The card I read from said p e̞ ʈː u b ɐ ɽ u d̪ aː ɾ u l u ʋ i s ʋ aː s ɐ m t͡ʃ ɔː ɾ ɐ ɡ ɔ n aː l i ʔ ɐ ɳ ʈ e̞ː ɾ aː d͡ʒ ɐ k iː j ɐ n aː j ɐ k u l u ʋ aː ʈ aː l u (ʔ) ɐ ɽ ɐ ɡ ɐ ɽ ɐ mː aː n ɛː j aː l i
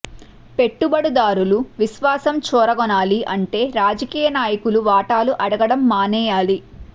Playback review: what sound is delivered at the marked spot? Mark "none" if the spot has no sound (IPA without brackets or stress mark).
ʔ